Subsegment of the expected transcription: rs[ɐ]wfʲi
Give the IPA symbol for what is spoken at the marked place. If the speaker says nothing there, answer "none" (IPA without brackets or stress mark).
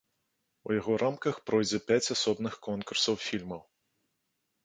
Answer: ɐ